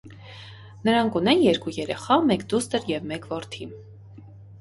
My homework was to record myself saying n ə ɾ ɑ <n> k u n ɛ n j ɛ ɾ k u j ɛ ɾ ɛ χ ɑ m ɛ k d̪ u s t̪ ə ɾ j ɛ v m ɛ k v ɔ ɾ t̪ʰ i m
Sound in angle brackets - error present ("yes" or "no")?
yes